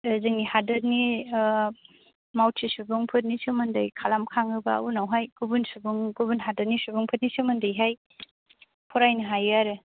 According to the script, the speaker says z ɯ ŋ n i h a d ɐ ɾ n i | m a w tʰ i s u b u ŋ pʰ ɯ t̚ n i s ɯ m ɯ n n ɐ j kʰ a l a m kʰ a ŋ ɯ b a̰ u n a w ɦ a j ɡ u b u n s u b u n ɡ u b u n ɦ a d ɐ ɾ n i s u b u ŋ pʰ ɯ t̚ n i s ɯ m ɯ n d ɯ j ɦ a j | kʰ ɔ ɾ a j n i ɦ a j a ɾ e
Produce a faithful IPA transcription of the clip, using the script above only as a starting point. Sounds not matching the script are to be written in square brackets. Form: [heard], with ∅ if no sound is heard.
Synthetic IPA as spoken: z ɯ ŋ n i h a d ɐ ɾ n i | m a w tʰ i s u b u ŋ pʰ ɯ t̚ n i s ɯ m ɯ n [d] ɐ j kʰ a l a m kʰ a ŋ ɯ b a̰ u n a w ɦ a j ɡ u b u n s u b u [ŋ] ɡ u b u n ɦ a d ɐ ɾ n i s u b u ŋ pʰ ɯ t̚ n i s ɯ m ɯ n d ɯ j ɦ a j | [pʰ] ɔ ɾ a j n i ɦ a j a ɾ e